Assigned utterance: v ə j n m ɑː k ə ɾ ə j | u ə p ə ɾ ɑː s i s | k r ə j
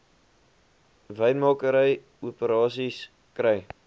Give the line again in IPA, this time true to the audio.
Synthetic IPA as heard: v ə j n m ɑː k ə ɾ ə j | u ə p ə ɾ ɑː s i s | k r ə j